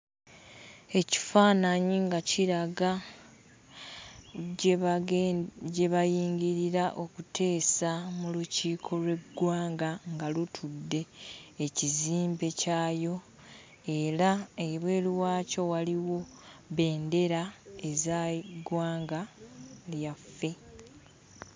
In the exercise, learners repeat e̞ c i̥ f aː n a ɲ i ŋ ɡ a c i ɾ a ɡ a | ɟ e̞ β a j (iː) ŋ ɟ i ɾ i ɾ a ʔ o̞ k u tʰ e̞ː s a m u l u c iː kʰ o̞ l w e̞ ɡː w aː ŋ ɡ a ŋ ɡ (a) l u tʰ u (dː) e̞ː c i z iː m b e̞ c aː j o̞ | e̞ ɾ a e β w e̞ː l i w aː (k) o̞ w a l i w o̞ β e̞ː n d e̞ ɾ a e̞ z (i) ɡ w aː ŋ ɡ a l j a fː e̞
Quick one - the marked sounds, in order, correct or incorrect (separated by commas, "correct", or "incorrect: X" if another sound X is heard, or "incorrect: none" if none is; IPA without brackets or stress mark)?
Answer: correct, correct, correct, incorrect: c, incorrect: a